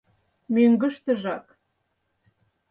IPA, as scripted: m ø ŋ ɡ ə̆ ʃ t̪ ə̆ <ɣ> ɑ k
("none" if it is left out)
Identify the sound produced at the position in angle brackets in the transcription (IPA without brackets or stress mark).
ʒ